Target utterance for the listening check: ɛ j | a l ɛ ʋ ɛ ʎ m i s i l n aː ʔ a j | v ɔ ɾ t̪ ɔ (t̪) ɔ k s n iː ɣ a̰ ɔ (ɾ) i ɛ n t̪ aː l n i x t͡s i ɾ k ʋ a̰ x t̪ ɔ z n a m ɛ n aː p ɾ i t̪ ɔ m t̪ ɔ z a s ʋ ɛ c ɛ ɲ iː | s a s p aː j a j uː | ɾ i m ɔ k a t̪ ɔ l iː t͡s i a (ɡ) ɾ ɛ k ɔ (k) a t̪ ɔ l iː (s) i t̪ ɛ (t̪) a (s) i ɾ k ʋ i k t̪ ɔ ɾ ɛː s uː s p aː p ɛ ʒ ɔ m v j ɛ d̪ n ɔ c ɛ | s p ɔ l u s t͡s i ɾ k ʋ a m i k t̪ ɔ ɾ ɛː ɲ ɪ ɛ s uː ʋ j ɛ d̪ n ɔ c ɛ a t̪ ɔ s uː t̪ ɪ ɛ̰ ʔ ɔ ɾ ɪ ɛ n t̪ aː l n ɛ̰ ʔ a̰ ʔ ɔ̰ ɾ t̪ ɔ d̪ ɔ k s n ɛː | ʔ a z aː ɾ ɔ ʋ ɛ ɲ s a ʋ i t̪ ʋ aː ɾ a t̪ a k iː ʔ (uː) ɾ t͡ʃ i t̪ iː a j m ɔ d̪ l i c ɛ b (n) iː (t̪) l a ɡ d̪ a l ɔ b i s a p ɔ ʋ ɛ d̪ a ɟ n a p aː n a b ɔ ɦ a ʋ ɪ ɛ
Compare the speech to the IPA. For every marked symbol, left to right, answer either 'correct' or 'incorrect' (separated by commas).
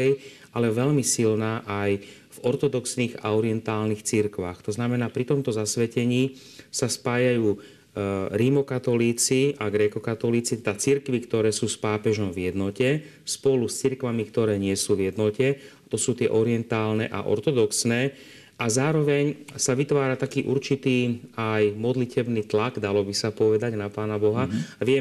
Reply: incorrect, correct, correct, correct, incorrect, incorrect, incorrect, incorrect, correct, correct